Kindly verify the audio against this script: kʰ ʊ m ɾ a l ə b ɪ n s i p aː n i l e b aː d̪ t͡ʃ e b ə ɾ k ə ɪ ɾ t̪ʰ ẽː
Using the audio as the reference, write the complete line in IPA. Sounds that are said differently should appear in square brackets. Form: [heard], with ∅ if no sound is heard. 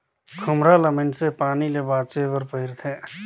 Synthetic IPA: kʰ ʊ m ɾ a l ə [m] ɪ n s [e] p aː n i l e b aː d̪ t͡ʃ e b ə ɾ [p] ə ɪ ɾ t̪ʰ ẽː